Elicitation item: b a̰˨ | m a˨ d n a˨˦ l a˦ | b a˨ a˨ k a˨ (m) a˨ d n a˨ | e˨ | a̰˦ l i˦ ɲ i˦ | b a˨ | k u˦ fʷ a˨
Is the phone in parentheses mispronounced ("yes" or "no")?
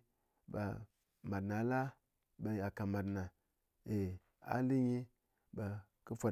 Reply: no